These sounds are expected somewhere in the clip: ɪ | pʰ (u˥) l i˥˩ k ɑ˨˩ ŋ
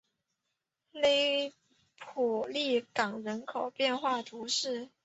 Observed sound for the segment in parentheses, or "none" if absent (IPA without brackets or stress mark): u˨˩